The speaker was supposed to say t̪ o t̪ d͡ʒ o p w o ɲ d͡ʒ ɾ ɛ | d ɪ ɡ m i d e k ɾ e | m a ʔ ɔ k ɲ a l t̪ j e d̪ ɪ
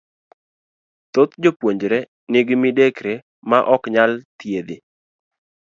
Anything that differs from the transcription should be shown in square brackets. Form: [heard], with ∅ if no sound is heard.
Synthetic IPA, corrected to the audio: t̪ o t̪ d͡ʒ o p w o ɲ d͡ʒ ɾ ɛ | [n] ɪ ɡ m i d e k ɾ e | m a ʔ ɔ k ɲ a l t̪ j e d̪ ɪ